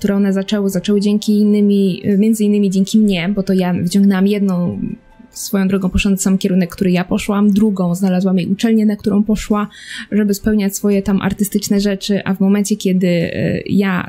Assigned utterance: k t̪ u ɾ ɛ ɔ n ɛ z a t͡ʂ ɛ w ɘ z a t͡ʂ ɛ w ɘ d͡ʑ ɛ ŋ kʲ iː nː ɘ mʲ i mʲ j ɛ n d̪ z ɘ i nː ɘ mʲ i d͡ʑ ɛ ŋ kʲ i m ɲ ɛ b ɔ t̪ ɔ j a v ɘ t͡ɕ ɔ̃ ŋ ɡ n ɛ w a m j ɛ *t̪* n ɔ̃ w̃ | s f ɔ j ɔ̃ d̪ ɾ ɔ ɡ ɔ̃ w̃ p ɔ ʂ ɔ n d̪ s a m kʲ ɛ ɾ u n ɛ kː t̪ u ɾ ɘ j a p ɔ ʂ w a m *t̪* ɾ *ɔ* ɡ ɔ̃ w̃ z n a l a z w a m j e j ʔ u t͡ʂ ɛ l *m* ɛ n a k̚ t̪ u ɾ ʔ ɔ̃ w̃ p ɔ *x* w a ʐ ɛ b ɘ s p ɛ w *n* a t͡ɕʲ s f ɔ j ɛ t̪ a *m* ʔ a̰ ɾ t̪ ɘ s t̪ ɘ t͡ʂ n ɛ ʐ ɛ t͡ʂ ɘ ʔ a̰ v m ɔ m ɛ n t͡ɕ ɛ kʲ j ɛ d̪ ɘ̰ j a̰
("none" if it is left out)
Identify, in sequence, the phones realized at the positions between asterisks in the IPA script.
d̪, d̪, u, ɲ, ʂ, ɲ, m

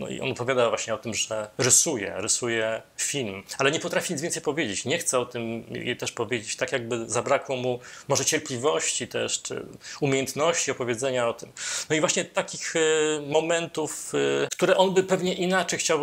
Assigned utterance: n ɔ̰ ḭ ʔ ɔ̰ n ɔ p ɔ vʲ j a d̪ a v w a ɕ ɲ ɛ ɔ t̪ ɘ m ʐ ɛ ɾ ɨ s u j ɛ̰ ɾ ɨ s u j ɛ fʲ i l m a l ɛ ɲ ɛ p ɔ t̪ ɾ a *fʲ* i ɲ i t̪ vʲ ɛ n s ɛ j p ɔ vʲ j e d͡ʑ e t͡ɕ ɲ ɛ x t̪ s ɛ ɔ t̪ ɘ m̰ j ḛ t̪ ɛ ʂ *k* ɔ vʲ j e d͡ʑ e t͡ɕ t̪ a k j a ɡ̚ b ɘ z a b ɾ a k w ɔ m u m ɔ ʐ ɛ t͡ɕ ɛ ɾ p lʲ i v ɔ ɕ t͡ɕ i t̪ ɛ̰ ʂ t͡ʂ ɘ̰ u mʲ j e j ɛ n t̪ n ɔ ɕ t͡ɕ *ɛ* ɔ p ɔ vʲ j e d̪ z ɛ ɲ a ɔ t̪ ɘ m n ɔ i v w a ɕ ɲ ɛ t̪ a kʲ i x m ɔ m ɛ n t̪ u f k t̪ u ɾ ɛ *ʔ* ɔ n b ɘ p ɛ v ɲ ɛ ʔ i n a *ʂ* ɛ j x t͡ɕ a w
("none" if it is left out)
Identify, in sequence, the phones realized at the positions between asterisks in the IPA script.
fʲ, p, i, ʔ, t͡ʂ

